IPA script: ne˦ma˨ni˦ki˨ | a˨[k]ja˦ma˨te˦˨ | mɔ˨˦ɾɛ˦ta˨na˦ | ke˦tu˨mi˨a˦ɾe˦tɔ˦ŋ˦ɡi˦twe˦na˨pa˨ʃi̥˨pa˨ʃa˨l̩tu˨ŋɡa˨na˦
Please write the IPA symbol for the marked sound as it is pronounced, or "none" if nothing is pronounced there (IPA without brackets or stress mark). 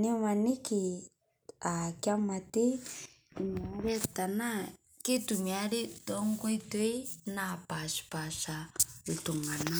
k